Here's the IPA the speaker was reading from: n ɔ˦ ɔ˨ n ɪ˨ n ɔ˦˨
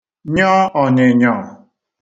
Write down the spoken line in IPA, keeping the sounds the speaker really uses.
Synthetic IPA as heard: ɲ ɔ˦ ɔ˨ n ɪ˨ ɲ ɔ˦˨